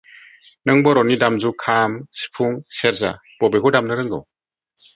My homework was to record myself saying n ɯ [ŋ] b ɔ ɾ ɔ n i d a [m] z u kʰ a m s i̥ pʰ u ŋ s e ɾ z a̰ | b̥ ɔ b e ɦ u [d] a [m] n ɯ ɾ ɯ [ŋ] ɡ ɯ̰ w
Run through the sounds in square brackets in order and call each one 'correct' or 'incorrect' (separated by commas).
correct, correct, correct, correct, correct